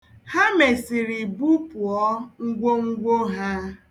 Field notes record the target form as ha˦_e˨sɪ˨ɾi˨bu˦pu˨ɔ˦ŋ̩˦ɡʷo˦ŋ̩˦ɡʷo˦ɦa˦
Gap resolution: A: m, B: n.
A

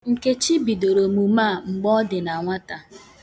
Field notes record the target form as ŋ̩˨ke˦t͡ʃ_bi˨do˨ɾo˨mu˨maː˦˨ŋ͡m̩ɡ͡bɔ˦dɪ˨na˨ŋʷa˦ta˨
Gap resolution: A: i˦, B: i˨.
A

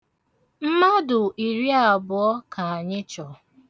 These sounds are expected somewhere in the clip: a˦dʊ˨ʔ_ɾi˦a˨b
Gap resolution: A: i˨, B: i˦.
A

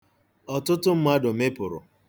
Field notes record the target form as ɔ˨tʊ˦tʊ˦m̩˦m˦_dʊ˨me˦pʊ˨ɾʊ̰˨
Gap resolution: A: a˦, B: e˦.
A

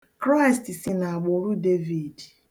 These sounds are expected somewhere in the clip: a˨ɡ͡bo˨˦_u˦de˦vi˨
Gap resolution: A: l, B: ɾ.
B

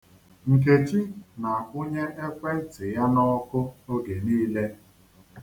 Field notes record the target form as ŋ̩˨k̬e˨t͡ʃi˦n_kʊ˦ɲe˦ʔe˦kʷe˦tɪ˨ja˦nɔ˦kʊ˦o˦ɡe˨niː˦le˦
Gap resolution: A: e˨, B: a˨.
B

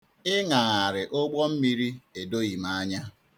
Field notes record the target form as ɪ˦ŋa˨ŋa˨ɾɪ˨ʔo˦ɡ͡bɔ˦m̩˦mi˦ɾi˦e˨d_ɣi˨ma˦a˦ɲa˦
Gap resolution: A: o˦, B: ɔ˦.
A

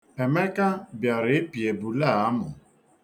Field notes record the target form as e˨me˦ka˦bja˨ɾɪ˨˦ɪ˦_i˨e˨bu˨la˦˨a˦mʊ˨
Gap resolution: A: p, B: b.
A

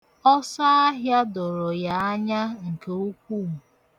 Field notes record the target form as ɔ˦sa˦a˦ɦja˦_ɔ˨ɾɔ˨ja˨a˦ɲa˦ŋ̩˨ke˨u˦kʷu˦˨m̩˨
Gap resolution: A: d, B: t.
A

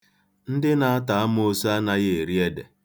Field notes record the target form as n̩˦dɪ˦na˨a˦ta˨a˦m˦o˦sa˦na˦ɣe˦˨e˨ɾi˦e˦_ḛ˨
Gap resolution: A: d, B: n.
A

